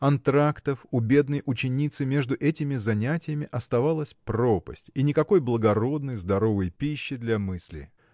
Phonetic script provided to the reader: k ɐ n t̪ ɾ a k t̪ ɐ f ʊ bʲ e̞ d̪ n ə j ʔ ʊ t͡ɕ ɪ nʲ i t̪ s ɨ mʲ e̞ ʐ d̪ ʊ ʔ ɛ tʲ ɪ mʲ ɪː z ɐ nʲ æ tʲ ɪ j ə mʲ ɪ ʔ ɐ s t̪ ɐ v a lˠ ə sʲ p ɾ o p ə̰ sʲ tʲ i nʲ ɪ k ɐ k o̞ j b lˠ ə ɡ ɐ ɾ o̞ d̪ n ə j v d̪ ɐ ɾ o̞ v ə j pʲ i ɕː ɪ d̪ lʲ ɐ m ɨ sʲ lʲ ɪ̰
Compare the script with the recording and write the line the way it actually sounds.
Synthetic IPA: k ɐ n t̪ ɾ a k t̪ ə f ʊ bʲ e̞ d̪ n ə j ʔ ʊ t͡ɕ ɪ nʲ i t̪ s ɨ mʲ e̞ ʐ d̪ ʊ ʔ ɛ tʲ ɪ mʲ ɪ z ɐ nʲ æ tʲ ɪ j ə mʲ ɪ ʔ ɐ s t̪ ɐ v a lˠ ə sʲ p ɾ o p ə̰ sʲ tʲ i nʲ ɪ k ɐ k o̞ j b lˠ ə ɡ ɐ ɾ o̞ d̪ n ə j z d̪ ɐ ɾ o̞ v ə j pʲ i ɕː ɪ d̪ lʲ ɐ m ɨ sʲ lʲ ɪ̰